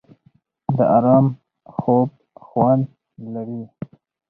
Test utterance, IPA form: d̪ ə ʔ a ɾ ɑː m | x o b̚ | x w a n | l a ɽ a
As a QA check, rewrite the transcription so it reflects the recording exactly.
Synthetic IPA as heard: d̪ ə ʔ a ɾ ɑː m | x o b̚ | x w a n | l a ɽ i